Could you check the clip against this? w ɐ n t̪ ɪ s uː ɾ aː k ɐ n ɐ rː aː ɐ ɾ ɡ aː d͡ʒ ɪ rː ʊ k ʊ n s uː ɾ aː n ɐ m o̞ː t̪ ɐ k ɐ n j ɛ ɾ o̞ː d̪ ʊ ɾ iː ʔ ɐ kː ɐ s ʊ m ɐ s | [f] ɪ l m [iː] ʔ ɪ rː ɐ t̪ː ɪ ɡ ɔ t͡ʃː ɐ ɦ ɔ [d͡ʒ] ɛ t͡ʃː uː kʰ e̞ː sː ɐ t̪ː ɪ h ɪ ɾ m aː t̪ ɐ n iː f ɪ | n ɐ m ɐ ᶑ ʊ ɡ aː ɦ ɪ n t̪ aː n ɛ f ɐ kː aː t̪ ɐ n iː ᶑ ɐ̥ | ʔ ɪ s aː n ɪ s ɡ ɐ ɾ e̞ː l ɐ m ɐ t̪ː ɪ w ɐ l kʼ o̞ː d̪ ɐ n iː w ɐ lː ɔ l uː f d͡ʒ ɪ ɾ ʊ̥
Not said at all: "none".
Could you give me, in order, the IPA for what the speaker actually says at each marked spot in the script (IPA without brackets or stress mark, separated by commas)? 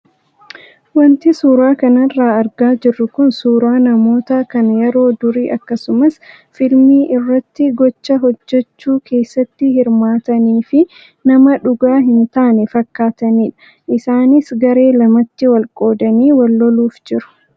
f, iː, d͡ʒː